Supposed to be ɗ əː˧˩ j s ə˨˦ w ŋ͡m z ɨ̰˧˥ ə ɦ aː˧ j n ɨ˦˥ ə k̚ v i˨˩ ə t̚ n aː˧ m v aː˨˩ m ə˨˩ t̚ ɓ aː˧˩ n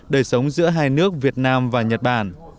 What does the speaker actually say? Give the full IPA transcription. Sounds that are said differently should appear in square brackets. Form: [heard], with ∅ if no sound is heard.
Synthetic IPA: ɗ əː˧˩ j s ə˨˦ w ŋ͡m z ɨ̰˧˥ ə ɦ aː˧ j n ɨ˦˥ ə k̚ v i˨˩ ə t̚ n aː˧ m v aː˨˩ [ɲ] ə˨˩ t̚ ɓ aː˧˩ n